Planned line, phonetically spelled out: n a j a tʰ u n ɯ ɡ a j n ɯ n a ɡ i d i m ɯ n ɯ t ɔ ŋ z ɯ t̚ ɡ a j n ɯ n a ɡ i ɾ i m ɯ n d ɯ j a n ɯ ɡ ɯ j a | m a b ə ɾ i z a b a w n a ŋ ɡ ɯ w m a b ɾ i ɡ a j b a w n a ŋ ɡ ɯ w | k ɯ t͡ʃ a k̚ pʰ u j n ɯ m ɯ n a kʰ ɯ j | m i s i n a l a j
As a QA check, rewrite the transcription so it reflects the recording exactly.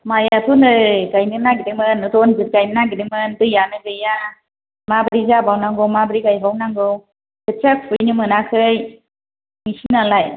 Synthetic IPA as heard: m a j a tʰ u n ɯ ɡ a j n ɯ n a ɡ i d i m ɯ n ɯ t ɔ n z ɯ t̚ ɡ a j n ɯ n a ɡ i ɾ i m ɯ n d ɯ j a n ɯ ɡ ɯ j a | m a b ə ɾ i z a b a w n a ŋ ɡ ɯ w m a b ɾ i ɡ a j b a w n a ŋ ɡ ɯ w | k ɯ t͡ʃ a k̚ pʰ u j n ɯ m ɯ n a kʰ ɯ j | m i s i n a l a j